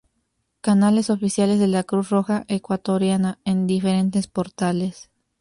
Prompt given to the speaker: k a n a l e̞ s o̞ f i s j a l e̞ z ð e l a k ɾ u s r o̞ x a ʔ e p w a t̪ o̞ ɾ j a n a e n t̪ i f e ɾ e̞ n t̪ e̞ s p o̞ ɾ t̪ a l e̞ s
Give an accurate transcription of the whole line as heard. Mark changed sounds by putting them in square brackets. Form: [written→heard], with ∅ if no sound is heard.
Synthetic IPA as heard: k a n a l e̞ s o̞ f i s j a l e̞ z ð e l a k ɾ u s r o̞ x a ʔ e [p→k] w a t̪ o̞ ɾ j a n a e n [t̪→d̪] i f e ɾ e̞ n t̪ e̞ s p o̞ ɾ t̪ a l e̞ s

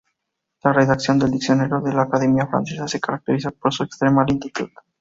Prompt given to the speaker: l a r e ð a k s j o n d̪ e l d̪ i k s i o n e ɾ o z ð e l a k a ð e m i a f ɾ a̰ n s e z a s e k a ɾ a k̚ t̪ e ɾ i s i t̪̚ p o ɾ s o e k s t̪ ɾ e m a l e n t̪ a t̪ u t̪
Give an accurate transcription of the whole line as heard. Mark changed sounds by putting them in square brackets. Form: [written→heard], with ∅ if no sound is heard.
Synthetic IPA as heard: l a r e ð a k s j o n d̪ e l d̪ i k s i o n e ɾ o [z→∅] ð e l a k a ð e m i a f ɾ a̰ n s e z a s e k a ɾ a k̚ t̪ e ɾ i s [i→a] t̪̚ p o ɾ s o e k s t̪ ɾ e m a l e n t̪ [a→i] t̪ u t̪

